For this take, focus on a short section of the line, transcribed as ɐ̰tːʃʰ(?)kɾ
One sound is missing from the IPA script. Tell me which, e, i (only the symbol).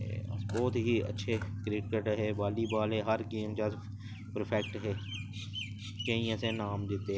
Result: e